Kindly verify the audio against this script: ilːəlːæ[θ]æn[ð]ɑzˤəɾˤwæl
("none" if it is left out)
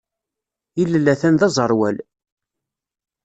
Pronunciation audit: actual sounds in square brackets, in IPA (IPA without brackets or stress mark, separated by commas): θ, ð